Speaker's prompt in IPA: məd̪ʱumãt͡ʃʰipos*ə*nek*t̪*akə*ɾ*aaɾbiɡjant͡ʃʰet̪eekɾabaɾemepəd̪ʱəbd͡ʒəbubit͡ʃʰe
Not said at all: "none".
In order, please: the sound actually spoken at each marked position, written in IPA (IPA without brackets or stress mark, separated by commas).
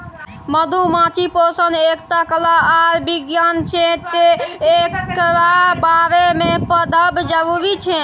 ə, t̪, l